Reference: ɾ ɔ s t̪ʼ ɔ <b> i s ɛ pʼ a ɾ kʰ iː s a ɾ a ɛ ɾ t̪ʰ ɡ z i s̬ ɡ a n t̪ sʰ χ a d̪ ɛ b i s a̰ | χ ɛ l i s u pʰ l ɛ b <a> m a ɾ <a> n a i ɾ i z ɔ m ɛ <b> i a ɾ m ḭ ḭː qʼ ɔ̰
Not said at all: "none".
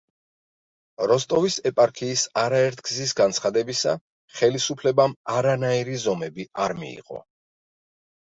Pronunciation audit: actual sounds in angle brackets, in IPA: v, a, a, b

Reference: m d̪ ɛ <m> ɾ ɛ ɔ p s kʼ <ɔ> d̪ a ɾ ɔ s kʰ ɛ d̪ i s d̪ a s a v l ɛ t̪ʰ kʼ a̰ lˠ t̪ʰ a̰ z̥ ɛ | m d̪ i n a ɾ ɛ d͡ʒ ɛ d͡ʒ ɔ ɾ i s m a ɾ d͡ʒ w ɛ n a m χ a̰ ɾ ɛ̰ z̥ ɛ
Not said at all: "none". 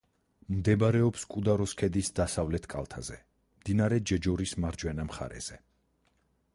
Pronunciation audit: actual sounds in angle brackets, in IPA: b, u

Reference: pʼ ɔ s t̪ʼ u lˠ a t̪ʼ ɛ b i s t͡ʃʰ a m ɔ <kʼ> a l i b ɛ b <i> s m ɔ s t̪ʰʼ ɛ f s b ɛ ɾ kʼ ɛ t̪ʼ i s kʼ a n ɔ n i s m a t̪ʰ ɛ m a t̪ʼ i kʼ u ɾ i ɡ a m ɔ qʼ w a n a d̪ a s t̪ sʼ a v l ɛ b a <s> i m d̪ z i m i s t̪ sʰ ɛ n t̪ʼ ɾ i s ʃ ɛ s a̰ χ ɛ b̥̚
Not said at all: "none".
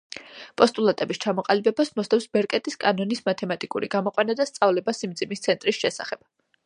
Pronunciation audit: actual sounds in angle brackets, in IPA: qʼ, a, s

